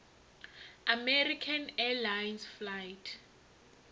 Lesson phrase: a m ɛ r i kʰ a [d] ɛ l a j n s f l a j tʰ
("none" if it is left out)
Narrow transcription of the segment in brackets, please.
n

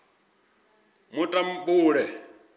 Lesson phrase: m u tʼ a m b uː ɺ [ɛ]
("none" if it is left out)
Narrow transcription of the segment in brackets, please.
ɛ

